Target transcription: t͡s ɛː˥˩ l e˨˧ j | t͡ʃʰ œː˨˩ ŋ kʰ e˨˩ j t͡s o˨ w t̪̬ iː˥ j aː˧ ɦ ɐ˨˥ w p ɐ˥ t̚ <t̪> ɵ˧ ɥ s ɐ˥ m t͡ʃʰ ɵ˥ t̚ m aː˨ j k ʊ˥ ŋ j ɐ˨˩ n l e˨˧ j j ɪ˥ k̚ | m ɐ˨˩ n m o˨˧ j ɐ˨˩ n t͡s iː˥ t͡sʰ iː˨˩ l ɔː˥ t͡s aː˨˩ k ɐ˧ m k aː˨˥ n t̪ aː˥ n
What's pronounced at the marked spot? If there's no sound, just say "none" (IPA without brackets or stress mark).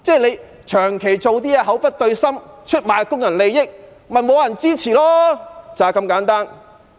t̪